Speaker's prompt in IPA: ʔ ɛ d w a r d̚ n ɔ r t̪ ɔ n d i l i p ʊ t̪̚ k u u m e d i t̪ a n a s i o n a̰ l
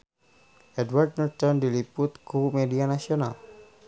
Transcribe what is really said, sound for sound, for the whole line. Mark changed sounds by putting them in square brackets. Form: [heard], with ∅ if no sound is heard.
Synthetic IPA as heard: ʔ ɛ d w a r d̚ n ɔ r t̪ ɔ n d i l i p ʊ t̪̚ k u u m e d i [∅] a n a s i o n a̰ l

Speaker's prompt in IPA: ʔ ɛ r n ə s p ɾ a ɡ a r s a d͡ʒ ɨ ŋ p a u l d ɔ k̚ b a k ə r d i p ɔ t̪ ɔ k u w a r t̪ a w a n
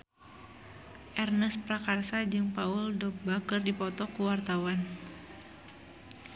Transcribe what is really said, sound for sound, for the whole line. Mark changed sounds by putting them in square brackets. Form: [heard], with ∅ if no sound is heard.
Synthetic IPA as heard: ʔ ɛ r n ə s p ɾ a [k] a r s a d͡ʒ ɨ ŋ p a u l d ɔ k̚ b a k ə r d i p ɔ t̪ ɔ k u w a r t̪ a w a n

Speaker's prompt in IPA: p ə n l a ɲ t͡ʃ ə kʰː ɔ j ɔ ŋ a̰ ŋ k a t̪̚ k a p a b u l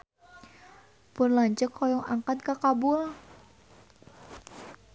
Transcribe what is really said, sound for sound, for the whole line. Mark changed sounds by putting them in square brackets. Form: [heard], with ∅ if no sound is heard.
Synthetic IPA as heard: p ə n l a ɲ t͡ʃ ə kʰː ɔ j ɔ ŋ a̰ ŋ k a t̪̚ k a [k] a b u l

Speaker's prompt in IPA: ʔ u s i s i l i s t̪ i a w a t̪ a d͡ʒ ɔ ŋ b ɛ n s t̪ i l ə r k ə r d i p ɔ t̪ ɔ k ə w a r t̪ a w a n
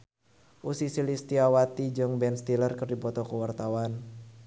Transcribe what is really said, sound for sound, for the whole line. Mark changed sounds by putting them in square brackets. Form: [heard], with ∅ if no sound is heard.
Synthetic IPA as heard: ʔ u s i s i l i s t̪ i a w a t̪ [i] d͡ʒ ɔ ŋ b ɛ n s t̪ i l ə r k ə r d i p ɔ t̪ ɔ k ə w a r t̪ a w a n

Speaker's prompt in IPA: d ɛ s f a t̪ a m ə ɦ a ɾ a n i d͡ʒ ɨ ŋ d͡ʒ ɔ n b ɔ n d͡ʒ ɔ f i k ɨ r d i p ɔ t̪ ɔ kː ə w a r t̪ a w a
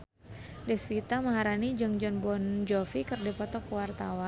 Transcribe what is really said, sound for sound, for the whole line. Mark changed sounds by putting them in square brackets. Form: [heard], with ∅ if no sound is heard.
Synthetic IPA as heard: d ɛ s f [i] t̪ a m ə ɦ a ɾ a n i d͡ʒ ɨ ŋ d͡ʒ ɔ n b ɔ n d͡ʒ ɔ f i k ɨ r d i p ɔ t̪ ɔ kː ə w a r t̪ a w a

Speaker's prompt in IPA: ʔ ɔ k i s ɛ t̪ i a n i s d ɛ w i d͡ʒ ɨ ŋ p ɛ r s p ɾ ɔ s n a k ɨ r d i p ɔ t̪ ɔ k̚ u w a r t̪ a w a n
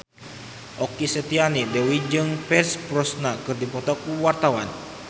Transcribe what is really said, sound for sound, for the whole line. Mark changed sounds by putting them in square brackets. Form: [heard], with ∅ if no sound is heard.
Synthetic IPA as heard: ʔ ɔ k i s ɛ t̪ i a n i [∅] d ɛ w i d͡ʒ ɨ ŋ p ɛ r s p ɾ ɔ s n a k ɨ r d i p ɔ t̪ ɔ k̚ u w a r t̪ a w a n

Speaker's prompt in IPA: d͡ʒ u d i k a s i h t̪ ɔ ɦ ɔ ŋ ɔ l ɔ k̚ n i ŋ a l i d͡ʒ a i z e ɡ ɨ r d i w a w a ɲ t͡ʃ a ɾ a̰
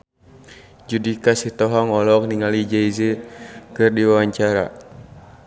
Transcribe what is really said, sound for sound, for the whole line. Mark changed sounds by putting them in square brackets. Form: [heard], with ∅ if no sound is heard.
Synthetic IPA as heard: d͡ʒ u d i k a s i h t̪ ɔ ɦ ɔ ŋ ɔ l ɔ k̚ n i ŋ a l i d͡ʒ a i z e [k] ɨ r d i w a w a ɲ t͡ʃ a ɾ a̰

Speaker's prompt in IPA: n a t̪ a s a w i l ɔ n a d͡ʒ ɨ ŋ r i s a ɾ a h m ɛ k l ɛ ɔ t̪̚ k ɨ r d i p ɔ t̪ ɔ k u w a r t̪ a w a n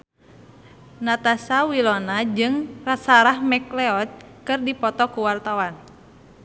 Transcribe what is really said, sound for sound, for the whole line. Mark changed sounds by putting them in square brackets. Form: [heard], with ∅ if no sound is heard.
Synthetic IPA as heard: n a t̪ a s a w i l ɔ n a d͡ʒ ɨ ŋ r [a] s a ɾ a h m ɛ k l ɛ ɔ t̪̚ k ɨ r d i p ɔ t̪ ɔ k u w a r t̪ a w a n

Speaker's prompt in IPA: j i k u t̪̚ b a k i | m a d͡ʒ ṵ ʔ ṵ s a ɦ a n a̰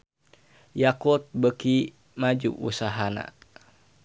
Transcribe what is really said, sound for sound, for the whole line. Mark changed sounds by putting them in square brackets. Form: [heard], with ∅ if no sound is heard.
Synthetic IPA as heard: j [a] k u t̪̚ b [ə] k i | m a d͡ʒ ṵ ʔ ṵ s a ɦ a n a̰

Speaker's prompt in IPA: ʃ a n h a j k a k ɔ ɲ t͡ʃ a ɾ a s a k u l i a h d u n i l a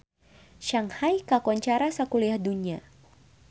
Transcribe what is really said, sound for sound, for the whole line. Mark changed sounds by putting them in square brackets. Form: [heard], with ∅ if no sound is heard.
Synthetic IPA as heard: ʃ a [ŋ] h a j k a k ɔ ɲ t͡ʃ a ɾ a s a k u l i a h d u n i [∅] a

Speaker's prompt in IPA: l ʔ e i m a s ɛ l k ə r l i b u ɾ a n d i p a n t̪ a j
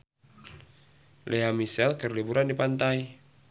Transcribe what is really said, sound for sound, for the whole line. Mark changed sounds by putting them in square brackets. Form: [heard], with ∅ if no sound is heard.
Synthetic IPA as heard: l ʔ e [a] m [i] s ɛ l k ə r l i b u ɾ a n d i p a n t̪ a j

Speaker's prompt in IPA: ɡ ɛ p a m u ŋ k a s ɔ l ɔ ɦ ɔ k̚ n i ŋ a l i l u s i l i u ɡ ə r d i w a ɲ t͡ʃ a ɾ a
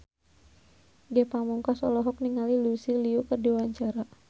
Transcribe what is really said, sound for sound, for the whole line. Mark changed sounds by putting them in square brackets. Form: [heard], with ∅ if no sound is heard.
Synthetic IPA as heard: ɡ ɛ p a m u ŋ k a s ɔ l ɔ ɦ ɔ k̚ n i ŋ a l i l u s i l i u [k] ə r d i w a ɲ t͡ʃ a ɾ a

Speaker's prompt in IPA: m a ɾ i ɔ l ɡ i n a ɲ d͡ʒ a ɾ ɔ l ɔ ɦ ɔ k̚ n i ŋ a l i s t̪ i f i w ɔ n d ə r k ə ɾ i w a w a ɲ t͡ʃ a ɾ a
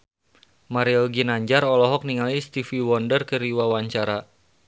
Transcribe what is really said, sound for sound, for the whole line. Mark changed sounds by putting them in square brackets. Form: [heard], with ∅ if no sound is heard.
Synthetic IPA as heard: m a ɾ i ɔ l ɡ i n a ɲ d͡ʒ a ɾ ɔ l ɔ ɦ ɔ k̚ n i ŋ a l i s t̪ i f i w ɔ n d ə r k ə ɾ i w a w a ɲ t͡ʃ a ɾ a

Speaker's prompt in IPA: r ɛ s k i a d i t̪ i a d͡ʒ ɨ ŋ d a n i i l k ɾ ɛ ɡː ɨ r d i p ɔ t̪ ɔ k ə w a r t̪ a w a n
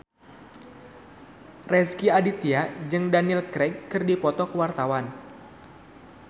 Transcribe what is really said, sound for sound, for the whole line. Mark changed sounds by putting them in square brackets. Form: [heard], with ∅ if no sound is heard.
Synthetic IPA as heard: r ɛ s k i a d i t̪ i a d͡ʒ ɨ ŋ d a n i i l k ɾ ɛ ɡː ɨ r d i p ɔ t̪ ɔ k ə w a r t̪ a w a n

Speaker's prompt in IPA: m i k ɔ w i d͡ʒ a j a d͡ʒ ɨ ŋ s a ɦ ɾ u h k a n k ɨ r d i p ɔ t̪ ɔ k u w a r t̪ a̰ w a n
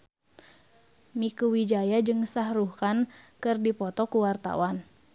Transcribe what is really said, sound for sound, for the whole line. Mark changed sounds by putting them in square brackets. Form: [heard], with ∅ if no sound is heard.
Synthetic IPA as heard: m i k [u] w i d͡ʒ a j a d͡ʒ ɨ ŋ s a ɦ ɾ u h k a n k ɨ r d i p ɔ t̪ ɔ k u w a r t̪ a̰ w a n

